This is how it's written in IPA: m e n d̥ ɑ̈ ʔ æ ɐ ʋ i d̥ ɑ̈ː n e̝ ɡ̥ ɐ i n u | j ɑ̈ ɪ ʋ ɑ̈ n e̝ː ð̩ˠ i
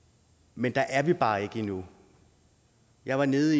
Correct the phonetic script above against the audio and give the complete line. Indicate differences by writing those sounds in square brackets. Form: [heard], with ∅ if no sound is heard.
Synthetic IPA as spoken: m e n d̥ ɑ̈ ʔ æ ɐ ʋ i [b̥] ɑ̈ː [∅] e̝ ɡ̥ [ə] i n u | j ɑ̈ ɪ ʋ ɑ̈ n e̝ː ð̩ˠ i